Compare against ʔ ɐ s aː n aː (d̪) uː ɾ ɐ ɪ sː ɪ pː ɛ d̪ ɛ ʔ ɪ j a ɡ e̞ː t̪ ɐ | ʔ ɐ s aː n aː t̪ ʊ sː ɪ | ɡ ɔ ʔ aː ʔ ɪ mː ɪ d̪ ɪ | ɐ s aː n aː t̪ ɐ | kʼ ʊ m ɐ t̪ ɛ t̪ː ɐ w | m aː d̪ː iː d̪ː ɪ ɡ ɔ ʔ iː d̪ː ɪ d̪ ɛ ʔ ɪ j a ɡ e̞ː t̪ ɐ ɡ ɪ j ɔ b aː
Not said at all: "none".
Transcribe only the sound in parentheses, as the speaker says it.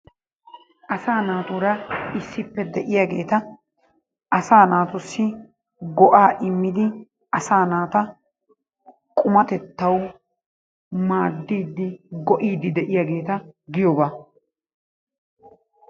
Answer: t̪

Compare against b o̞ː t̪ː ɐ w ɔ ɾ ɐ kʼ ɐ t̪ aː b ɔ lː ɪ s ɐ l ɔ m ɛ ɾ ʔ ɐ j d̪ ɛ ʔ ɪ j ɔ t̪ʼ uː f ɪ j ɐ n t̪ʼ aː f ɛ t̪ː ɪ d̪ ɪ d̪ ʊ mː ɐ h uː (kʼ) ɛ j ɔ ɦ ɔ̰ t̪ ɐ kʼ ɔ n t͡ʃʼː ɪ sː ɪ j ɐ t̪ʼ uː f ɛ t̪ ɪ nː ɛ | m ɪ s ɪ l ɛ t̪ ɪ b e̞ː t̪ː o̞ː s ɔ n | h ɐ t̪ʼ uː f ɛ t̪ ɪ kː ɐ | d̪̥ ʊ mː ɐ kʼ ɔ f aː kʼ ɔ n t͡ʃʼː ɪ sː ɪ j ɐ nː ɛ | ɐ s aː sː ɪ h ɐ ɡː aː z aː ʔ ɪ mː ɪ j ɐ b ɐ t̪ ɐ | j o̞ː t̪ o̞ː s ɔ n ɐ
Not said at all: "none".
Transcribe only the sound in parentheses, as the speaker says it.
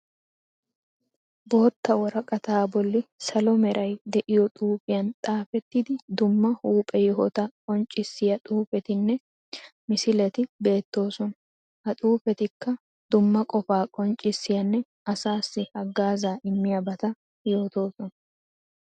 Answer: pʼ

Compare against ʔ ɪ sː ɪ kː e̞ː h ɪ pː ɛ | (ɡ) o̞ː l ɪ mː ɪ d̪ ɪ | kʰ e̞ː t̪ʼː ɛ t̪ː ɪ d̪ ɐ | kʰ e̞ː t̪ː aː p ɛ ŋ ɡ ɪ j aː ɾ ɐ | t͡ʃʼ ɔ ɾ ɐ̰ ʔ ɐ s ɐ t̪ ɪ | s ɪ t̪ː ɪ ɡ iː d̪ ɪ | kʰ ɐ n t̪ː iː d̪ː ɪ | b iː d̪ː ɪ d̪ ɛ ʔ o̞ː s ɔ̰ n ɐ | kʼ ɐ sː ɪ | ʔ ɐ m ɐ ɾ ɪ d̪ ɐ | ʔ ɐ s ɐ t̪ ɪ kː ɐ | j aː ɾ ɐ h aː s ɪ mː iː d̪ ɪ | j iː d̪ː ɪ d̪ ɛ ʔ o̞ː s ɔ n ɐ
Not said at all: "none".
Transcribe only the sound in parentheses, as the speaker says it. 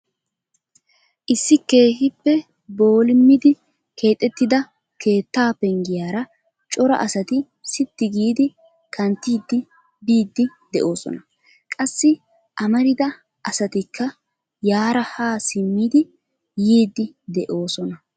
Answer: b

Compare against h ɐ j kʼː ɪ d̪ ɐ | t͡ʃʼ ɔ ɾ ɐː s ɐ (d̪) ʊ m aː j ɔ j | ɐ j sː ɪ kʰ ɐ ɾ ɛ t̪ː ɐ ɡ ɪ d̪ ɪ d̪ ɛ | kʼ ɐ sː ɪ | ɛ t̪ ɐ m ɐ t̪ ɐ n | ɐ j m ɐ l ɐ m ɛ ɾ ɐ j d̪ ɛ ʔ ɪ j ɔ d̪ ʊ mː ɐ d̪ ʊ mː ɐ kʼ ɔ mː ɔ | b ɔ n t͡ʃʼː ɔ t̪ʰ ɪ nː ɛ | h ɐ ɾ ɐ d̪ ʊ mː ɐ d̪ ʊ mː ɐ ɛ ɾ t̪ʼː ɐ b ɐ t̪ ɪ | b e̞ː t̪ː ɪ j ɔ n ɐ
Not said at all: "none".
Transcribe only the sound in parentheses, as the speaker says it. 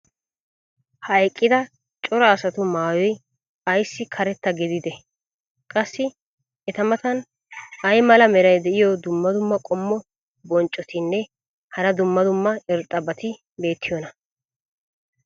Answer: t̪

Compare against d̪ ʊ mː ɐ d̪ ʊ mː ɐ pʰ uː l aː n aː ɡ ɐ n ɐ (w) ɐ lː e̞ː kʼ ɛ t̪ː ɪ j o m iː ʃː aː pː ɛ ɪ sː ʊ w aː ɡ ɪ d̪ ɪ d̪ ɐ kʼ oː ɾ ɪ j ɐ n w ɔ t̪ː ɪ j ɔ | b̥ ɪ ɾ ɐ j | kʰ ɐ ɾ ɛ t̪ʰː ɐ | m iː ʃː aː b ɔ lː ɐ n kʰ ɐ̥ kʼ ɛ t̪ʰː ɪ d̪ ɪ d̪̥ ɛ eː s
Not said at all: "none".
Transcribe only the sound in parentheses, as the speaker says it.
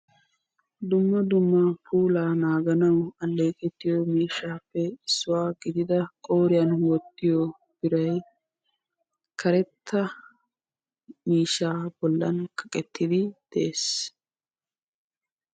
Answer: w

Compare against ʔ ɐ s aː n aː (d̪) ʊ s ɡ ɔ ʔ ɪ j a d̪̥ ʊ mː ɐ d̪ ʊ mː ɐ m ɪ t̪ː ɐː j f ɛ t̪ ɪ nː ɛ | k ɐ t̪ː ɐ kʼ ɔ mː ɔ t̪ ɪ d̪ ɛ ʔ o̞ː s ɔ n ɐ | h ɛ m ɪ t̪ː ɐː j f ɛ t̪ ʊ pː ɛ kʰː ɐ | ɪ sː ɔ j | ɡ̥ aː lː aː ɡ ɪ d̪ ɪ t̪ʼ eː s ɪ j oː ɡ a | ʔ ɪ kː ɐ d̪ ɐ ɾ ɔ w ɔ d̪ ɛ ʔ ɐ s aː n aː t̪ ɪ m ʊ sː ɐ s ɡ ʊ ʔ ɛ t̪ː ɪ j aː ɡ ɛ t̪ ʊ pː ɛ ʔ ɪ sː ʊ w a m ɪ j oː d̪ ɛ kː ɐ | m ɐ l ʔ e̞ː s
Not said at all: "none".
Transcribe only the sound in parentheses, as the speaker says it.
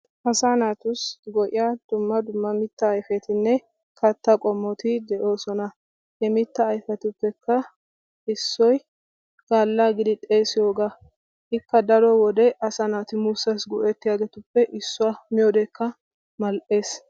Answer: t̪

